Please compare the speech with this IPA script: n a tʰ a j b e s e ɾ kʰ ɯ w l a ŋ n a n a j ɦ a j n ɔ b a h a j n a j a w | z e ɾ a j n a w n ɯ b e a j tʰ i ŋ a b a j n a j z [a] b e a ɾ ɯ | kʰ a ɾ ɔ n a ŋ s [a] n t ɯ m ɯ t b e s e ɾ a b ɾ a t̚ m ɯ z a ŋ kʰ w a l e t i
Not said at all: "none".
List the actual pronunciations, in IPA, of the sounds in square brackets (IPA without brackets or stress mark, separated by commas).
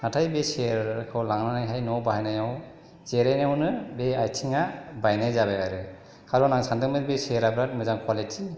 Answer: a, a